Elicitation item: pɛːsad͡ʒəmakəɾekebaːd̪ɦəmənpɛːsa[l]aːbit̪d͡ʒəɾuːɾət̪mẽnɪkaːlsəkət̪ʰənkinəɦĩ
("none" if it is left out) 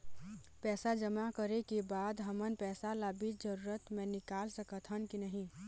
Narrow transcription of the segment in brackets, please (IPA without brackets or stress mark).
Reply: l